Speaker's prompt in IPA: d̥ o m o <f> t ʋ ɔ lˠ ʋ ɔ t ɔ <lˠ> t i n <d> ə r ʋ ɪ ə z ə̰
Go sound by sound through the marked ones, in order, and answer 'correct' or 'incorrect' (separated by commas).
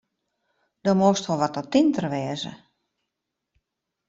incorrect, incorrect, incorrect